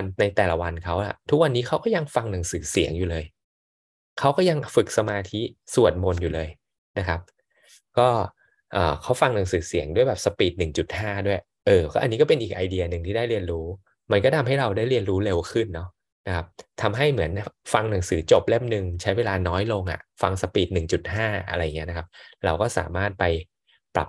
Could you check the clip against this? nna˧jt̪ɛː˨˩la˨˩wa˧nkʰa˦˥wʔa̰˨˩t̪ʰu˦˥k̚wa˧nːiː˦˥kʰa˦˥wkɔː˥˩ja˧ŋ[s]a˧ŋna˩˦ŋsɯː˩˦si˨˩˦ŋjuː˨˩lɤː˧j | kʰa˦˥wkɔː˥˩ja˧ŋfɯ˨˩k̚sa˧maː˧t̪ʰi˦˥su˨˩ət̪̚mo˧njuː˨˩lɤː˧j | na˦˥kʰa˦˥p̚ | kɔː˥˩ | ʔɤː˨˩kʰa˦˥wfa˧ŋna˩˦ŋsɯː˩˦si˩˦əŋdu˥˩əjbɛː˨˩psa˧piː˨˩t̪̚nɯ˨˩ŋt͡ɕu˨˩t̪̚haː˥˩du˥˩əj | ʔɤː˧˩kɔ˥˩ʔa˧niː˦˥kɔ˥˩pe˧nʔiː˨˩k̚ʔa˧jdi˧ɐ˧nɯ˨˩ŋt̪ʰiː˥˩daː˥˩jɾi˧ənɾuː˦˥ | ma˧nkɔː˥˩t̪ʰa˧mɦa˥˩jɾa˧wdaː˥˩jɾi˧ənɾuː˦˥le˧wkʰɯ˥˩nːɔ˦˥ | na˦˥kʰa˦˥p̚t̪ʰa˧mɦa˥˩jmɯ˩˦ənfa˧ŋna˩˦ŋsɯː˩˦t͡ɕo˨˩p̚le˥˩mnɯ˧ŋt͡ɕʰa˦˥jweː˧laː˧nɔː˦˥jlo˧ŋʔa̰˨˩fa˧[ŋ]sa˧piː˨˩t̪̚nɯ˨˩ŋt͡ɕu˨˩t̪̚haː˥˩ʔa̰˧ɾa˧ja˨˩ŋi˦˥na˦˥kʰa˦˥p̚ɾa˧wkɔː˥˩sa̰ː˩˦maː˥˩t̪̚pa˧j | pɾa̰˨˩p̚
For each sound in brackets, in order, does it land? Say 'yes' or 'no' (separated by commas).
no, yes